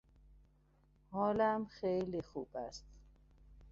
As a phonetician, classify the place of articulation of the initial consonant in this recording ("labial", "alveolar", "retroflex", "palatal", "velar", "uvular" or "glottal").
glottal